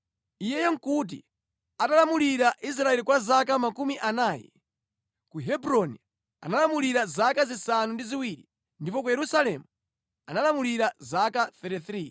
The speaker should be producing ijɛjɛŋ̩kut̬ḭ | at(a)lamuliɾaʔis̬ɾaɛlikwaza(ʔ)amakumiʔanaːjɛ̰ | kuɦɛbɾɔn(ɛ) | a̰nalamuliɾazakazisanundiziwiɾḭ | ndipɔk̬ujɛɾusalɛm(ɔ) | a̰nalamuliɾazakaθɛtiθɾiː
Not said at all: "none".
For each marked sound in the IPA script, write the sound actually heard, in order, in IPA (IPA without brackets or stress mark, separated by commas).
a, k, i, u